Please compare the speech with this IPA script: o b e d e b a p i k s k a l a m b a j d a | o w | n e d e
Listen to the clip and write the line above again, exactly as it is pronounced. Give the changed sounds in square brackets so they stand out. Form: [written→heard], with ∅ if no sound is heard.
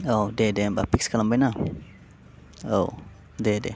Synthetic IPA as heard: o [b→d] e d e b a p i k s k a l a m b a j [d→n] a | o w | [n→d] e d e